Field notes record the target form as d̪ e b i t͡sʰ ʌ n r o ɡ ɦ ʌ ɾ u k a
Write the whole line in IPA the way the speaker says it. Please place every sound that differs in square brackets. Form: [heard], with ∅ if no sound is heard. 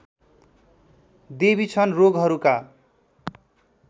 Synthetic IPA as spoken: d̪ e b i t͡sʰ ʌ n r o ɡ ɦ ʌ ɾ u k a